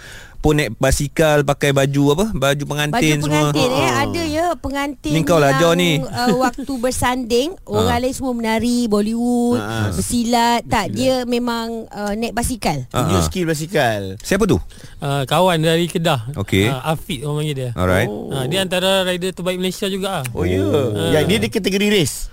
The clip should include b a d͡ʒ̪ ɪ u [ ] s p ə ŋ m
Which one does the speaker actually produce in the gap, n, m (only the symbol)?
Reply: n